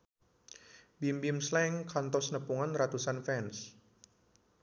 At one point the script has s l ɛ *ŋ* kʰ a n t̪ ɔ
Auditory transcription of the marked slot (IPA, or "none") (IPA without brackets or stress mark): ŋ